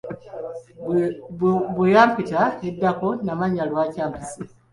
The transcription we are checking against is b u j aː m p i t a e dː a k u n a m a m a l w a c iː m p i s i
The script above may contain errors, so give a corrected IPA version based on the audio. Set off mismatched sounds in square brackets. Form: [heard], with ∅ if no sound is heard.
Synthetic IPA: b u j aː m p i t a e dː a k [o] n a m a [ɲ] a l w a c [aː] m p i s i